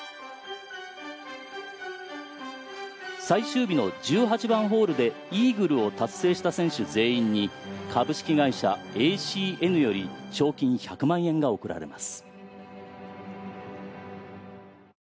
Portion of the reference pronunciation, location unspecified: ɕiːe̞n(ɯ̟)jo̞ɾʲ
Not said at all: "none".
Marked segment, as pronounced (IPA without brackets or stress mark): ɯ̟